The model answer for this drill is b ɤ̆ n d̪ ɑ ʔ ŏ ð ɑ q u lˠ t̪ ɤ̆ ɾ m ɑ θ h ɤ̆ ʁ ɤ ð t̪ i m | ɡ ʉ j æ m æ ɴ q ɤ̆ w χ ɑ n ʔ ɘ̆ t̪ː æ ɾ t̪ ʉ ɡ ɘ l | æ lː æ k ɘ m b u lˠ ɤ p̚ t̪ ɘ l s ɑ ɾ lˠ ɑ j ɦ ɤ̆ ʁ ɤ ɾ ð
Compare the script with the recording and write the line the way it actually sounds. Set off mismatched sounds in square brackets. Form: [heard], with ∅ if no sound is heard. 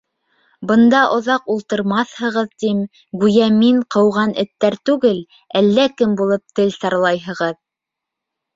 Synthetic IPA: b ɤ̆ n d̪ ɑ ʔ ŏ ð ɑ q u lˠ t̪ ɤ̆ ɾ m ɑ θ h ɤ̆ ʁ ɤ ð t̪ i m | ɡ ʉ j æ m [i] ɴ q ɤ̆ w [ʁ] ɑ n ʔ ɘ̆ t̪ː æ ɾ t̪ ʉ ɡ ɘ l | æ lː æ k ɘ m b u lˠ ɤ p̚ t̪ ɘ l s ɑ ɾ lˠ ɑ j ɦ ɤ̆ ʁ ɤ [∅] ð